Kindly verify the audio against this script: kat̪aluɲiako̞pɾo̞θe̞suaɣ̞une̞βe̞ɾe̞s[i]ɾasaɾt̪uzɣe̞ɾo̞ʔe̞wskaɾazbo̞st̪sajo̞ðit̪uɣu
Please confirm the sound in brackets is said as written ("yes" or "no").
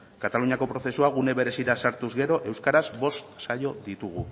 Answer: yes